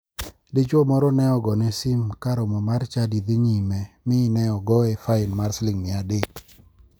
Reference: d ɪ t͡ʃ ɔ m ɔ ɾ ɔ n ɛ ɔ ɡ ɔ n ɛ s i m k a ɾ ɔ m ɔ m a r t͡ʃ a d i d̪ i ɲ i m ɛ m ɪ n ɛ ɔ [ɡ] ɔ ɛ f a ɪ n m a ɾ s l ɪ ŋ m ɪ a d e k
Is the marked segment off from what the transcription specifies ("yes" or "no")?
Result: no